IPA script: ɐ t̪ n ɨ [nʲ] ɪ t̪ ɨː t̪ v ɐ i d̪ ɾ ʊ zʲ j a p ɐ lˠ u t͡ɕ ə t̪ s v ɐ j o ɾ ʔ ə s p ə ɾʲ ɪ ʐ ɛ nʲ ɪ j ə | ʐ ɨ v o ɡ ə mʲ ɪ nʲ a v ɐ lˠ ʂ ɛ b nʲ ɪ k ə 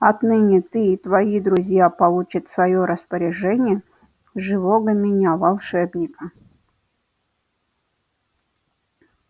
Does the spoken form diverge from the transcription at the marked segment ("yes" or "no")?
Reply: no